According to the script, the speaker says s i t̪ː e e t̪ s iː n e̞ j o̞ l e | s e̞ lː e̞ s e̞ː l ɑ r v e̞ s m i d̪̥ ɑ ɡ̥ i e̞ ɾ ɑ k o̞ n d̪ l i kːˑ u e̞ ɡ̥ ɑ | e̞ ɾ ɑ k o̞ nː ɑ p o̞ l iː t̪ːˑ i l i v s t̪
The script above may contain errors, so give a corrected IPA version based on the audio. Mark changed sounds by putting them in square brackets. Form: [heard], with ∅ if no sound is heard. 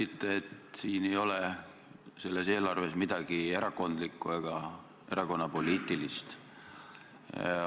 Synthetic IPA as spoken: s i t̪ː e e t̪ s iː n e̞ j o̞ l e | s e̞ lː e̞ s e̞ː l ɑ r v e̞ s m i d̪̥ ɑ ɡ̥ i e̞ ɾ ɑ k o̞ n d̪ l i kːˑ u e̞ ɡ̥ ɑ | e̞ ɾ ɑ k o̞ nː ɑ p o̞ l iː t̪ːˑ i l i [∅] s t̪